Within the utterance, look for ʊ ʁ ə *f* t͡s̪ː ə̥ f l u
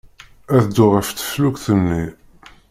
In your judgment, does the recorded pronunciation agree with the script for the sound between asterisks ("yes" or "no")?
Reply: yes